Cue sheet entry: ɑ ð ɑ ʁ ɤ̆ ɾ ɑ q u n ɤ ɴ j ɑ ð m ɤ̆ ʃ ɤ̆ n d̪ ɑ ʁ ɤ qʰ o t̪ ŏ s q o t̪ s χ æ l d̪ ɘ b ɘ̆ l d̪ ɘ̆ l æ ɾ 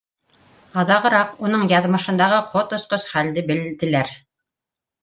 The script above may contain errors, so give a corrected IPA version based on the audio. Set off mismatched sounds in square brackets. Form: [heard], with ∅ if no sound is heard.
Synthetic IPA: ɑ ð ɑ ʁ ɤ̆ ɾ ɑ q u n ɤ ɴ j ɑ ð m ɤ̆ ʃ ɤ̆ n d̪ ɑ ʁ ɤ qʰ o t̪ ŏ s q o [∅] s χ æ l d̪ ɘ b ɘ̆ l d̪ ɘ̆ l æ ɾ